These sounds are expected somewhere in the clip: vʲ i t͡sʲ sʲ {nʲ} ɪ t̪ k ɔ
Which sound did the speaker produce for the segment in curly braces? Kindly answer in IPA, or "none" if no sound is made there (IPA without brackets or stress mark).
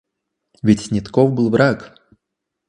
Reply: nʲ